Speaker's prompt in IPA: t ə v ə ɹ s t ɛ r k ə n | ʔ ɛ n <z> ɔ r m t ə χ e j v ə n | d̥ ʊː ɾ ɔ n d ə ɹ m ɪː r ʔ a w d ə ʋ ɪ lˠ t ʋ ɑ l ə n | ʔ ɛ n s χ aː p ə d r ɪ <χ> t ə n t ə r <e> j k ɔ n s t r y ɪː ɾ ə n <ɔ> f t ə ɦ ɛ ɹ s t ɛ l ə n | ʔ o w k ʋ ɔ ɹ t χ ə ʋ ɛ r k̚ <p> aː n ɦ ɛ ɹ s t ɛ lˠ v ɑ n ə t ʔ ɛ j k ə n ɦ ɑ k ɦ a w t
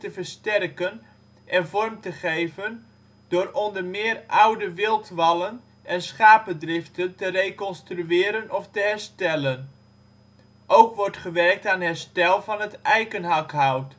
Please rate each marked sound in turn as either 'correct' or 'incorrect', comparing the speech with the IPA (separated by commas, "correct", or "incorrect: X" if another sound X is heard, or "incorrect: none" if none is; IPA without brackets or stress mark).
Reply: incorrect: v, incorrect: f, correct, correct, incorrect: t